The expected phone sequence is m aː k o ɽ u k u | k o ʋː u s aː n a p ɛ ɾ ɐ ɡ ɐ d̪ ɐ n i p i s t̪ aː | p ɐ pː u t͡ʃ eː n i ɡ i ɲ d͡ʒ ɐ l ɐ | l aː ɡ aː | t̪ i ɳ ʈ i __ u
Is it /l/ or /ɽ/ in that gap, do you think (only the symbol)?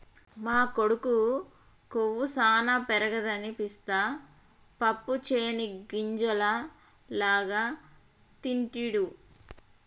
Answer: ɽ